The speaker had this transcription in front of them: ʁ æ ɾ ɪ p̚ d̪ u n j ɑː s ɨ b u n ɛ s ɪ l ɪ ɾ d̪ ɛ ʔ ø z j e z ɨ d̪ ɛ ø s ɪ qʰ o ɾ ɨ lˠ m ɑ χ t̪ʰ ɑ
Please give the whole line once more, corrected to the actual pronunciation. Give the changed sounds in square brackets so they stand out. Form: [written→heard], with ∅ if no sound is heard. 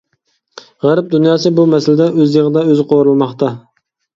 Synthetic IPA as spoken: ʁ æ ɾ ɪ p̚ d̪ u n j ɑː s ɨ b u [n→m] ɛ s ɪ l ɪ [ɾ→∅] d̪ ɛ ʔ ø z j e [z→ʁ] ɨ d̪ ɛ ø [s→z] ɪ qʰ o ɾ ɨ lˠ m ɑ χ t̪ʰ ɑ